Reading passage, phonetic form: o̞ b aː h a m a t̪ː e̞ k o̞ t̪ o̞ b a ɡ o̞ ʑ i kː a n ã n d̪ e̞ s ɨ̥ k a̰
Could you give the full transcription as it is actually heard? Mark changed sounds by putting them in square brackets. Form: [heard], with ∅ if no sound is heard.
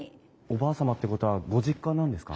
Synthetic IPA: o̞ b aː [s] a m a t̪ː e̞ k o̞ t̪ o̞ [β] a ɡ o̞ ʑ i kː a n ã n d̪ e̞ s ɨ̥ k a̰